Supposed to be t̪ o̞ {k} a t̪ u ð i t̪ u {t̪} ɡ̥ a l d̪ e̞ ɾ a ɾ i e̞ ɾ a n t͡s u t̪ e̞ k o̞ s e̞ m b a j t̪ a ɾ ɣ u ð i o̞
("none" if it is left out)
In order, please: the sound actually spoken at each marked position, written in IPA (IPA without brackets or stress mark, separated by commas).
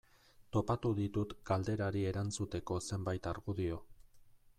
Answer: p, t̪